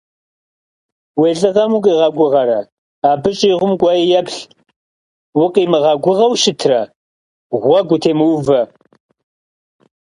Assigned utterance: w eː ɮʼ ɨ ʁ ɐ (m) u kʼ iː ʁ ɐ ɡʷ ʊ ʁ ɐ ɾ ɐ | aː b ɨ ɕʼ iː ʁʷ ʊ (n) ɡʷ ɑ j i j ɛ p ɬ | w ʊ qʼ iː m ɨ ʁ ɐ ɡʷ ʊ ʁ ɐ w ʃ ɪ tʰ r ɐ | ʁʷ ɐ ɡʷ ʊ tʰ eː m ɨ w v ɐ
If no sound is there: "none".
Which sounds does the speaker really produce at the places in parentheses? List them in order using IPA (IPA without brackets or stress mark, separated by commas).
m, m